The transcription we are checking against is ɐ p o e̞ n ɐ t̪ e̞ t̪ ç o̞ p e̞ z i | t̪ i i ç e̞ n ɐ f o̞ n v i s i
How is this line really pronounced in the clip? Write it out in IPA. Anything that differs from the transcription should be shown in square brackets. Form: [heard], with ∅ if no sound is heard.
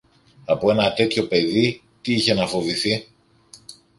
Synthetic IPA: ɐ p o e̞ n ɐ t̪ e̞ t̪ ç o̞ p e̞ [ð] i | t̪ i i ç e̞ n ɐ f o̞ [∅] v i [θ] i